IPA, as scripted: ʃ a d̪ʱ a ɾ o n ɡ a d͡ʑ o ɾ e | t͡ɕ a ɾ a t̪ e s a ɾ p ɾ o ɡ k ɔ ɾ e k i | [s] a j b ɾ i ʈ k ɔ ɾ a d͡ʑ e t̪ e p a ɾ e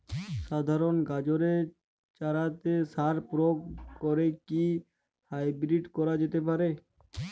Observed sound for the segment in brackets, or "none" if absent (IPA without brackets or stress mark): h